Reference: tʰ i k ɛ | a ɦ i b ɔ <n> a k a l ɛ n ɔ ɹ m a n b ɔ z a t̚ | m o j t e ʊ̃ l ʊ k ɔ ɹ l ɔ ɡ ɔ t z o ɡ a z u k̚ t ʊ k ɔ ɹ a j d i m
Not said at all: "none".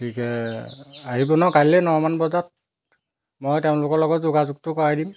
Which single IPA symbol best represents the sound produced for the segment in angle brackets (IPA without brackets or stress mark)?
n